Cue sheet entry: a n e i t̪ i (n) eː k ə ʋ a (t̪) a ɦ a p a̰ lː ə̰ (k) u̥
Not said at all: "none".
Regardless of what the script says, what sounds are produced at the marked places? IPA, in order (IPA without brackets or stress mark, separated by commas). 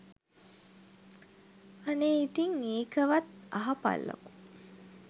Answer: ŋ, t̪, k